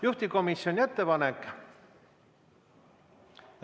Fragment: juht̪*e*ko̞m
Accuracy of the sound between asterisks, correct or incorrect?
incorrect: i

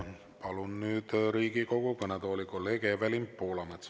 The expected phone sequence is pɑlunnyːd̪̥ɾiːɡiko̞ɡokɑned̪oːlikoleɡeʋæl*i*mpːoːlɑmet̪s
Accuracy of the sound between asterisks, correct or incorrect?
correct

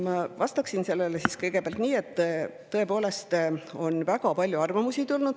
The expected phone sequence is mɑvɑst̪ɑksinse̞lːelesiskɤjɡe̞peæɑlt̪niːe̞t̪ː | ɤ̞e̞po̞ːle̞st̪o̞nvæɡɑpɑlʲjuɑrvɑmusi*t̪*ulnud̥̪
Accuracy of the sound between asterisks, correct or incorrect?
correct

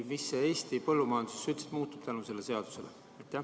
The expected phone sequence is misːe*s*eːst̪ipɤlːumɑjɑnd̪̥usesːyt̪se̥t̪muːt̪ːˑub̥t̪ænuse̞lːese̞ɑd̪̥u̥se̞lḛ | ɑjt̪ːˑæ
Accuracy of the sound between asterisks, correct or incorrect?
incorrect: none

